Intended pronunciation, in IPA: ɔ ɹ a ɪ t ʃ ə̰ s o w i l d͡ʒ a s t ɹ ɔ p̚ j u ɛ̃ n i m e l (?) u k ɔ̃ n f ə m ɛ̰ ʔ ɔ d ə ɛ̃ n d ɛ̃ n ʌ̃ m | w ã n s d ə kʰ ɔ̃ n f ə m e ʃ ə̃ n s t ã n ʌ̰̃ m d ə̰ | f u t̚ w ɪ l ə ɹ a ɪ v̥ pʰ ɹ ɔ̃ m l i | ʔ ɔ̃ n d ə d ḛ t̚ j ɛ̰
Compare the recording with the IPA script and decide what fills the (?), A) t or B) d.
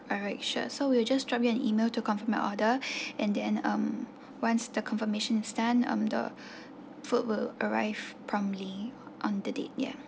A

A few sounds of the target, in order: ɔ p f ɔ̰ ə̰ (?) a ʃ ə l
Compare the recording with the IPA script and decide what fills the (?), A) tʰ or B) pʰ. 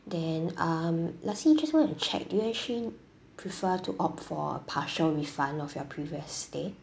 B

